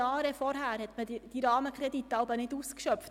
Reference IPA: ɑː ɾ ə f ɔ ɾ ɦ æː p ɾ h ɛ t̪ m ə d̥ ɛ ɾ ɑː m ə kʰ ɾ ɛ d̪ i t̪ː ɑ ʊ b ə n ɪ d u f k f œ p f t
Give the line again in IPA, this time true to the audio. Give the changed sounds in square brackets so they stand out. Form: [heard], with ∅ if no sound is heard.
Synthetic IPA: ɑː ɾ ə f ɔ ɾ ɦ æː [∅] ɾ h ɛ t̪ m ə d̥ [i] ɾ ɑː m ə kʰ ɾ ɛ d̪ i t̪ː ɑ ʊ b ə n ɪ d u [s] k [ʃ] œ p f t